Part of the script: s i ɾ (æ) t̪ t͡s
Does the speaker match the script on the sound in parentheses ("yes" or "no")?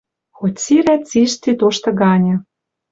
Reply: yes